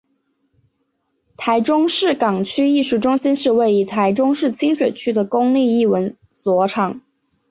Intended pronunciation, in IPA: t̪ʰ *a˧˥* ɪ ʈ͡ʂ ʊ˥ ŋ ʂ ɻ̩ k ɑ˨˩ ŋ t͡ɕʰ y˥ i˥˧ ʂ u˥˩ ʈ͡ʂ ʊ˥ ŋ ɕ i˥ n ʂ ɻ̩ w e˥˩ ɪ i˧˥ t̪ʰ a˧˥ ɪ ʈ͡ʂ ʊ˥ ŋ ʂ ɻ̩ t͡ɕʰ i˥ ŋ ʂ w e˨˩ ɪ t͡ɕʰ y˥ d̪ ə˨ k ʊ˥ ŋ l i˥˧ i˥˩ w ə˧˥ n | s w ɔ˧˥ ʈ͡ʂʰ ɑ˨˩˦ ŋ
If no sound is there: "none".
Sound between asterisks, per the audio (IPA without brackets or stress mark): a˧˥